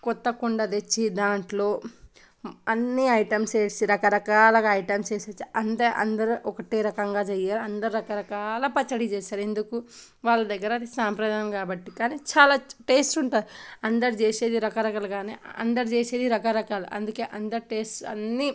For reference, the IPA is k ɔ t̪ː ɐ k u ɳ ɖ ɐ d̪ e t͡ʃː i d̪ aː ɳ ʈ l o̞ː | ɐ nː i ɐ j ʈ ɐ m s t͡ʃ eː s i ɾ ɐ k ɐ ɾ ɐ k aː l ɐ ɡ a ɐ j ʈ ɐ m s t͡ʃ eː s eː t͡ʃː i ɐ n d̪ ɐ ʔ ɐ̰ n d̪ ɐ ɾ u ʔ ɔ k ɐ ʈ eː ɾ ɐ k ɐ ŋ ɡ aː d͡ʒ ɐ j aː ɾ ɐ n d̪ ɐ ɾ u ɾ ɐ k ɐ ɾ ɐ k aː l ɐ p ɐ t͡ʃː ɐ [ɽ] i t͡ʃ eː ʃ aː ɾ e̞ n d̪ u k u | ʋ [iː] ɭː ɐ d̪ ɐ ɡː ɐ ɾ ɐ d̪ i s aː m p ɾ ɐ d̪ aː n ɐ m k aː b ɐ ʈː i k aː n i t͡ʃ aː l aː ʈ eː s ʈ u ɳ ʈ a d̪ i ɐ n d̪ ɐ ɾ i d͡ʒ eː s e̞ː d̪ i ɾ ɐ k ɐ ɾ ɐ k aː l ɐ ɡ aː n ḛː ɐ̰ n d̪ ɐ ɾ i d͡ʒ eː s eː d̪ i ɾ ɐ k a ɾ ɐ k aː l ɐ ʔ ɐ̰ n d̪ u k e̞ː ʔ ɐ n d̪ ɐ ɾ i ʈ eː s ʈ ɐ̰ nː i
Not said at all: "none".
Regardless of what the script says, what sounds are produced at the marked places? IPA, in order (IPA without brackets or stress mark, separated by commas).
ɽ, aː